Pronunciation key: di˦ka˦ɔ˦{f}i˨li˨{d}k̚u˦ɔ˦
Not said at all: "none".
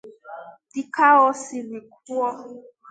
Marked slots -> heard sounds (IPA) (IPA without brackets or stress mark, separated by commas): s, none